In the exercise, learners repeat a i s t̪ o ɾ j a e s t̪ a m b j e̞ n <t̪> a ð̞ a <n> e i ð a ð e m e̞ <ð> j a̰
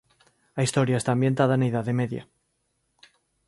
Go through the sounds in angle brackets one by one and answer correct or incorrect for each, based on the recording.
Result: correct, correct, correct

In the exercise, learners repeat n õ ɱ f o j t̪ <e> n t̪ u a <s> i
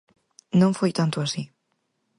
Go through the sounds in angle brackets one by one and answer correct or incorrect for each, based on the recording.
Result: incorrect, correct

